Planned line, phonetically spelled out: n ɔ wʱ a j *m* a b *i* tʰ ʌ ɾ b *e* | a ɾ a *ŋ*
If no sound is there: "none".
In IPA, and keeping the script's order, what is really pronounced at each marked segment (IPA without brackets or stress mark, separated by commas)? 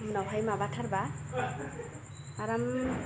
m, a, a, m